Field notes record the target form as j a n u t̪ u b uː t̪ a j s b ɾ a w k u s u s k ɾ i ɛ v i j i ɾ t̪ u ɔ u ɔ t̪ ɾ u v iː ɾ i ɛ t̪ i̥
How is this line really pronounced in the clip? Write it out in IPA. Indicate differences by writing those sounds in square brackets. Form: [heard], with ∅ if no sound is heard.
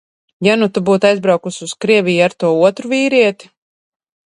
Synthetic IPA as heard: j a n u t̪ u b uː t̪ a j [z] b ɾ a w k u s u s k ɾ i ɛ v i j [a] ɾ t̪ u ɔ u ɔ t̪ ɾ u v iː ɾ i ɛ t̪ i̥